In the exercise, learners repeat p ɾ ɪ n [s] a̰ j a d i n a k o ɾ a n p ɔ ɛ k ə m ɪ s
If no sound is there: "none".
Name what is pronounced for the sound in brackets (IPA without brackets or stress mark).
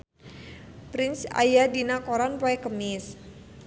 s